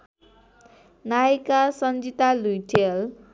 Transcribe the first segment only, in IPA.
n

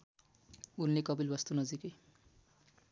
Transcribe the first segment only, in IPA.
u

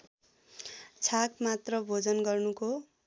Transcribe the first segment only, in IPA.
t͡sʰ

